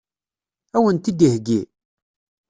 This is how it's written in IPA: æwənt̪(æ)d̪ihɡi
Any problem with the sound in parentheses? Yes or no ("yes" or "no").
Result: yes